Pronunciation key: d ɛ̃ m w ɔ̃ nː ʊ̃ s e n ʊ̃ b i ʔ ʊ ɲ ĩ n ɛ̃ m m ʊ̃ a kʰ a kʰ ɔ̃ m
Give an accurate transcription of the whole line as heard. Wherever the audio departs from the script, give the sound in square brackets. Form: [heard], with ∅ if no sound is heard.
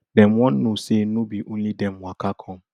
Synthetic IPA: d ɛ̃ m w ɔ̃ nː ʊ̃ s e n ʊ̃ b i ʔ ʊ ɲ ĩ [d] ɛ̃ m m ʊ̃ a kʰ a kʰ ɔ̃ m